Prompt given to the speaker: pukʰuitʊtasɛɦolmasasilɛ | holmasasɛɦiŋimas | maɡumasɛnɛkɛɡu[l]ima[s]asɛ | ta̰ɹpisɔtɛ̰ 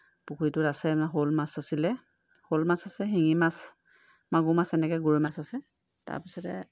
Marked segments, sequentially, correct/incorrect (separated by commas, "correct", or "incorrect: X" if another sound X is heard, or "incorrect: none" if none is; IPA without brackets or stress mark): incorrect: ɹ, correct